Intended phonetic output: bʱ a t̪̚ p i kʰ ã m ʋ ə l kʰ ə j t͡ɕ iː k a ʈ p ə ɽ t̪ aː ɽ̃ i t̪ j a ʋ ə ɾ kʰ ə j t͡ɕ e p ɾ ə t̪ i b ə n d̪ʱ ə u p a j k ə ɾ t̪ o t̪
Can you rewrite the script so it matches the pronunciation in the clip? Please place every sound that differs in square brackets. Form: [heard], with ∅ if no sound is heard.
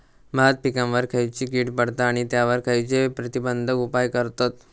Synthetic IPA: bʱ a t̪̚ p i [k] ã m ʋ ə [ɾ] kʰ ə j t͡ɕ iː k [i] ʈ p ə ɽ t̪ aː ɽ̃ i t̪ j a ʋ ə ɾ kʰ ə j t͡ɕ e p ɾ ə t̪ i b ə n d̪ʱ ə u p a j k ə ɾ t̪ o t̪

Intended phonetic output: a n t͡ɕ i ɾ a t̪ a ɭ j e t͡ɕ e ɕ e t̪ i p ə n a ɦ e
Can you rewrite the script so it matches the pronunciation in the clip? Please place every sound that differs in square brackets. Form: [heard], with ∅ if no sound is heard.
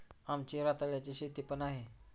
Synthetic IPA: a [m] t͡ɕ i ɾ a t̪ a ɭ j [a] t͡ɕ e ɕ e t̪ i p ə n a ɦ e

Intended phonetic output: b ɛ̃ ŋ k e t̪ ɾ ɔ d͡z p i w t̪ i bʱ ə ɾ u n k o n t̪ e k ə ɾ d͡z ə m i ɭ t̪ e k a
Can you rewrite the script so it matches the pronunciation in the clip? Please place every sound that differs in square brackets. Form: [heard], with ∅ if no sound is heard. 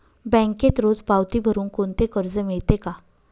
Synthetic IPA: b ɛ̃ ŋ k e t̪ ɾ [o] d͡z p [a] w t̪ i bʱ ə ɾ [uː] n k o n t̪ e k ə ɾ d͡z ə m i ɭ t̪ e k a

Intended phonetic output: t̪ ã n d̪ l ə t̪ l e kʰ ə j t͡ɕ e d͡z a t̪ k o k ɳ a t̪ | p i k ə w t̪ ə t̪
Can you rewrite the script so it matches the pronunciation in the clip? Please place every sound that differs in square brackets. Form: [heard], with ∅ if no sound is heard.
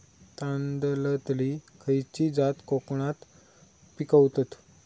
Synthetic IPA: t̪ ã n d̪ l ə t̪ l [i] kʰ ə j t͡ɕ [i] d͡z a t̪ k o k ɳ a t̪ | p i k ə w t̪ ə t̪

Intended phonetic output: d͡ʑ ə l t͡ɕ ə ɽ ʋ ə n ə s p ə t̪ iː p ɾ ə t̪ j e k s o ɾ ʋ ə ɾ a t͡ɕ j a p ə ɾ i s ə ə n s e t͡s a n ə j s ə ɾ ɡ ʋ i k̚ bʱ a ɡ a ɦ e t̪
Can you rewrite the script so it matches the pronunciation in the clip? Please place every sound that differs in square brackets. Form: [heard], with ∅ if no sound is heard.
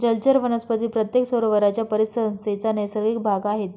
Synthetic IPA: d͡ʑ ə l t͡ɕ ə [ɾ] ʋ ə n ə s p ə t̪ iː p ɾ ə t̪ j e k s o ɾ ʋ ə ɾ a t͡ɕ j a p ə ɾ i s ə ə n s e t͡s a n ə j s ə ɾ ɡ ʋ i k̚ bʱ a ɡ a ɦ e t̪

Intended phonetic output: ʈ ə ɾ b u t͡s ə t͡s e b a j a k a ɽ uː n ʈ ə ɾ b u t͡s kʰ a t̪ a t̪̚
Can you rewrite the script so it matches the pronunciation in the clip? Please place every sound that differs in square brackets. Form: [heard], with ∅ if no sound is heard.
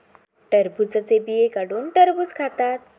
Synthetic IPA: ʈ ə ɾ b u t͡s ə t͡s e b [i] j [e] k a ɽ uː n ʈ ə ɾ b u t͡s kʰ a t̪ a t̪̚

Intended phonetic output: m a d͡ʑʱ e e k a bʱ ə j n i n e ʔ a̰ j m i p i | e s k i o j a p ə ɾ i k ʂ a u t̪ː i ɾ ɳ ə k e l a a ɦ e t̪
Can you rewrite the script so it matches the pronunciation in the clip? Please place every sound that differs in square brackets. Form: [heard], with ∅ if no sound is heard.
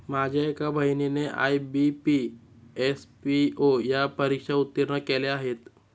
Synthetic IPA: m a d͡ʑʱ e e k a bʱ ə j n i n e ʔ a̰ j [b] i p i | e s [p] i o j a p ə ɾ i k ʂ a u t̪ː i ɾ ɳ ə k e l [e] a ɦ e t̪

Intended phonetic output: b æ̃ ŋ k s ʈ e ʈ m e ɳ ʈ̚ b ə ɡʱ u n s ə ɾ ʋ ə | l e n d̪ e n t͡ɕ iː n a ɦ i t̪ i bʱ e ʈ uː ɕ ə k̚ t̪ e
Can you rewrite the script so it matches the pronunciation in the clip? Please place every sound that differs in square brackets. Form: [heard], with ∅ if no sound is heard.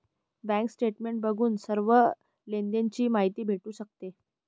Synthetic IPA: b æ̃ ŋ k s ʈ e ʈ m e ɳ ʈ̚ b ə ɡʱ [uː] n s ə ɾ ʋ ə | l e n d̪ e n t͡ɕ iː [m] a ɦ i t̪ [iː] bʱ e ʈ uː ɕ ə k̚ t̪ e

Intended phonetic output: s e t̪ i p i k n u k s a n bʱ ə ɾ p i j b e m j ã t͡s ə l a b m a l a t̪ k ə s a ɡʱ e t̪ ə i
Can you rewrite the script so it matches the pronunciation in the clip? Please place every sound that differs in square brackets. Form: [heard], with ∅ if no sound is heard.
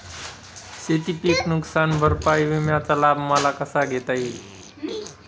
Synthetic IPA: s e t̪ i p i k n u k s a n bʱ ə ɾ p [a] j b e m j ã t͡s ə l a b m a l a [∅] k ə s a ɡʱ e t̪ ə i

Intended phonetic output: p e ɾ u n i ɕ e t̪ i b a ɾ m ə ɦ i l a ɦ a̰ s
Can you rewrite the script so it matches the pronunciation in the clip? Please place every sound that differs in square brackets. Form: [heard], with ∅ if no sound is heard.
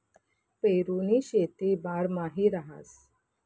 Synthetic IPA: p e ɾ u n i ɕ e t̪ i b a ɾ m [a] ɦ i [ɾ] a ɦ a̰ s

